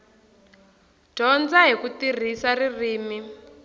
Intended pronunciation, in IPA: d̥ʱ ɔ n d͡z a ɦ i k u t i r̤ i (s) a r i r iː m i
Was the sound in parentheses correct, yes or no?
yes